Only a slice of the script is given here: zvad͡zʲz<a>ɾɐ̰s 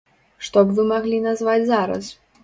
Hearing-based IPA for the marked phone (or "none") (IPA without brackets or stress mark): a